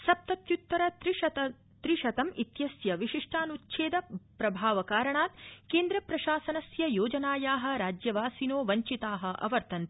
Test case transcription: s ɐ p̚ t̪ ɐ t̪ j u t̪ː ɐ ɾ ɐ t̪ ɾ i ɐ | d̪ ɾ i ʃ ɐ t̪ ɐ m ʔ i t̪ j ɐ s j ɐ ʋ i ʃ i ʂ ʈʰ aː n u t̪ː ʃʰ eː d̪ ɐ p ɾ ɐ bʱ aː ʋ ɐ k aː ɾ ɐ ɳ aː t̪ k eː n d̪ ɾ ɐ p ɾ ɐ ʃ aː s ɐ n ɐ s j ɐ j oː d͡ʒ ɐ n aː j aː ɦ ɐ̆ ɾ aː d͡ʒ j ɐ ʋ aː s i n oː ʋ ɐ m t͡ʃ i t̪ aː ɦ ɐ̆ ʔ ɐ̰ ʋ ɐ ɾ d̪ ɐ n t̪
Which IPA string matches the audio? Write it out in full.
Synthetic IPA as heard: s ɐ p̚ t̪ ɐ t̪ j u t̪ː ɐ ɾ ɐ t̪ ɾ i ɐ | t̪ ɾ i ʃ ɐ t̪ ɐ m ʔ i t̪ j ɐ s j ɐ ʋ i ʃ i ʂ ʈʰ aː n u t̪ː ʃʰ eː d̪ ɐ p ɾ ɐ bʱ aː ʋ ɐ k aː ɾ ɐ ɳ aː t̪ k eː n d̪ ɾ ɐ p ɾ ɐ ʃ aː s ɐ n ɐ s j ɐ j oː d͡ʒ ɐ n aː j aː ɦ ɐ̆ ɾ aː d͡ʒ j ɐ ʋ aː s i n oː ʋ ɐ ɲ t͡ʃ i t̪ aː ɦ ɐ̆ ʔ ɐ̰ ʋ ɐ ɾ t̪ ɐ n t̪